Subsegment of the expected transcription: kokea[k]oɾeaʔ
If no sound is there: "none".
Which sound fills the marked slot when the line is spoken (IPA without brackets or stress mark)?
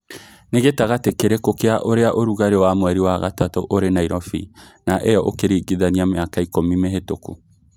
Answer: ʔ